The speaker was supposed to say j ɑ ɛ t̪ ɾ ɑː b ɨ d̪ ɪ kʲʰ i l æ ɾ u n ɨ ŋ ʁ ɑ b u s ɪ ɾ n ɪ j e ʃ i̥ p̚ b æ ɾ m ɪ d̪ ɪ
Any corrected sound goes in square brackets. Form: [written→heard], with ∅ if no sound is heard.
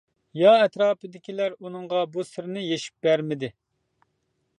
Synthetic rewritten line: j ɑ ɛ t̪ ɾ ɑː [b→p] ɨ d̪ ɪ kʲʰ i l æ ɾ u n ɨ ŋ ʁ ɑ b u s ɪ ɾ n ɪ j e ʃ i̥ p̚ b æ ɾ m ɪ d̪ ɪ